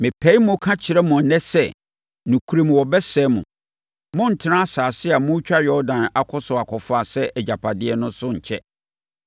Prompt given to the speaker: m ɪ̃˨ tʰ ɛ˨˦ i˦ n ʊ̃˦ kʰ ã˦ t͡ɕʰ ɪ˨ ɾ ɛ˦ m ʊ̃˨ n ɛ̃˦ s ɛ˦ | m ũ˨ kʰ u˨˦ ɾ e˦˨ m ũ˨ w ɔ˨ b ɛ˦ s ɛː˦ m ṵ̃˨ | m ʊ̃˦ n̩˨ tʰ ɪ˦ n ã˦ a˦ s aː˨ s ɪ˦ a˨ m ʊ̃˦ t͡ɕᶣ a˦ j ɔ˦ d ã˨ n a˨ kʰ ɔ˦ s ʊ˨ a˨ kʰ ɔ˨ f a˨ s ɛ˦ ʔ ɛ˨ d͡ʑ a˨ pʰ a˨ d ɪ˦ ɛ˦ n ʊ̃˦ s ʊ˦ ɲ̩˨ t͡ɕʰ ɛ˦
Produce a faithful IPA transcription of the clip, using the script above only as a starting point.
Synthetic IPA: m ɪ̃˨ pʰ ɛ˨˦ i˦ m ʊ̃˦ kʰ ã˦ t͡ɕʰ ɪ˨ ɾ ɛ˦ m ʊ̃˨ n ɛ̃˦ s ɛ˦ | n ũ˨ kʰ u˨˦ ɾ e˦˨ m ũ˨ w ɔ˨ b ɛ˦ s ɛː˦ m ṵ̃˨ | m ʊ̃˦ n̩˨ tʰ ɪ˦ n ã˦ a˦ s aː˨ s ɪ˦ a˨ m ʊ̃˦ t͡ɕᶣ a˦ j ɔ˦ d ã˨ n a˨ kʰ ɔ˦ s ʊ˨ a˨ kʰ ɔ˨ f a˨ s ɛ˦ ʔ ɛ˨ d͡ʑ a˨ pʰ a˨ d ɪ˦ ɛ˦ n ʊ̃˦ s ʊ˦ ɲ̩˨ t͡ɕʰ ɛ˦